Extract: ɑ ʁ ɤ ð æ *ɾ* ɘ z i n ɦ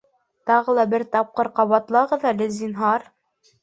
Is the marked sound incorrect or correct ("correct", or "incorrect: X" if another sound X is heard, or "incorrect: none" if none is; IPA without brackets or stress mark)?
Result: incorrect: l